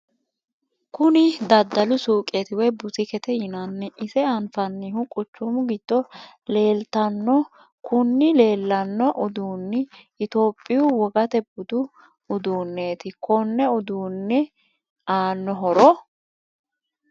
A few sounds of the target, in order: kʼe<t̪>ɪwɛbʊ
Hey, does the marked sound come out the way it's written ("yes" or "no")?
yes